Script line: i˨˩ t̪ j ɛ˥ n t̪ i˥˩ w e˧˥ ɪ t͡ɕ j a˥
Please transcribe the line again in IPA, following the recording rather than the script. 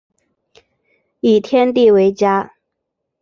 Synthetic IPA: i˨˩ t̪ʰ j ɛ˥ n t̪ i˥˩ w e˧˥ ɪ t͡ɕ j a˥